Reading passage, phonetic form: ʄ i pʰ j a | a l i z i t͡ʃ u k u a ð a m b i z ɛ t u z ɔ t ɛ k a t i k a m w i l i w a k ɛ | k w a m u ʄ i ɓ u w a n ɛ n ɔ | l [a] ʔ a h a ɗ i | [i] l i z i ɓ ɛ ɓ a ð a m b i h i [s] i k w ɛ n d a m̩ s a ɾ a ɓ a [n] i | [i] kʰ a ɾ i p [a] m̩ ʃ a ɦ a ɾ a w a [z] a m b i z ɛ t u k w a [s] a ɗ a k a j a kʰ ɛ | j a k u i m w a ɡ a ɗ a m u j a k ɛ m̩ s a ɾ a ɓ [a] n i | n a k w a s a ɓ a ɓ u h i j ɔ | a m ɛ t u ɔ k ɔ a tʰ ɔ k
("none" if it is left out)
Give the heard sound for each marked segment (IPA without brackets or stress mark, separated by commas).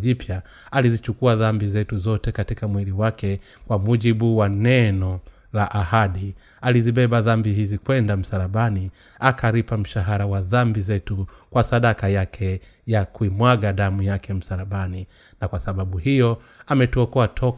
a, a, z, n, a, a, ð, s, a